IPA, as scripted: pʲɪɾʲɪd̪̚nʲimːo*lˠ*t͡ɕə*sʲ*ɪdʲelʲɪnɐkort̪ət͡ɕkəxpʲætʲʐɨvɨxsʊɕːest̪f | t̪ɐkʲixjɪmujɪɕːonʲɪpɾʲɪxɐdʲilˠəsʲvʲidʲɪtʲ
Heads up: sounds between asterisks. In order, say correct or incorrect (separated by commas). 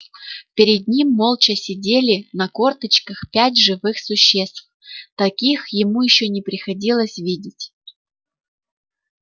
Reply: correct, correct